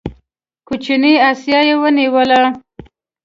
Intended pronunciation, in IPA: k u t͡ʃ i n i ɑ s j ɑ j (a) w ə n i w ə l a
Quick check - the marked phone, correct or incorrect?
incorrect